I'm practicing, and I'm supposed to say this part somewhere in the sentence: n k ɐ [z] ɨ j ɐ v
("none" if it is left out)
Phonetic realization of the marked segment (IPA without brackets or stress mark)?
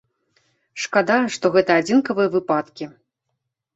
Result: v